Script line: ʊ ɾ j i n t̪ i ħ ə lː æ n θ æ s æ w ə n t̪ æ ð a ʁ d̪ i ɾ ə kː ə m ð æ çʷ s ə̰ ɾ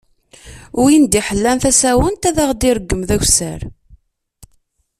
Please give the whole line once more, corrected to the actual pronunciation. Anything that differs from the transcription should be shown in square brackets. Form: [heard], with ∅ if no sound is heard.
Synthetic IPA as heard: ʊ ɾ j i n [d̪] i ħ ə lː æ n θ æ s æ w ə n t̪ æ ð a ʁ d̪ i ɾ ə [ɡː] ə m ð æ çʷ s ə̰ ɾ